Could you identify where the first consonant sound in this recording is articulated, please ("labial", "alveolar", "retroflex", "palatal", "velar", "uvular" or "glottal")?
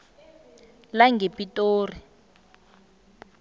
alveolar